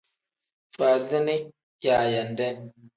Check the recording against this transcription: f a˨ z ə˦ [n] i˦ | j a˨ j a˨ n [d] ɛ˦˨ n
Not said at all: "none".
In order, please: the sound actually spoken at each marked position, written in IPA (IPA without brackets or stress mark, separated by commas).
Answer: n, d